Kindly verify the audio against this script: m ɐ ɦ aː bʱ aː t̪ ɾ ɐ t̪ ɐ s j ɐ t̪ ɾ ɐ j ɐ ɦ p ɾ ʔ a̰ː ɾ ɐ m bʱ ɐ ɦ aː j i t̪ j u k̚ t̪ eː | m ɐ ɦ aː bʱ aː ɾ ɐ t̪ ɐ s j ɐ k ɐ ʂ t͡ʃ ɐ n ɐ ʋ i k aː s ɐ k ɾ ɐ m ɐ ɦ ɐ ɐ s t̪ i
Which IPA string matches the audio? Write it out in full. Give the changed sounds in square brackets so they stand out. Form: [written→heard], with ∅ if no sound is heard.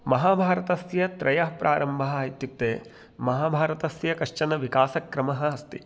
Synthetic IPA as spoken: m ɐ ɦ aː bʱ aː [t̪→∅] ɾ ɐ t̪ ɐ s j ɐ t̪ ɾ ɐ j ɐ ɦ p ɾ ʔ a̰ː ɾ ɐ m bʱ ɐ ɦ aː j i t̪ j u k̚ t̪ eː | m ɐ ɦ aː bʱ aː ɾ ɐ t̪ ɐ s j ɐ k ɐ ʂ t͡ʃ ɐ n ɐ ʋ i k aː s ɐ k ɾ ɐ m ɐ ɦ ɐ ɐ s t̪ i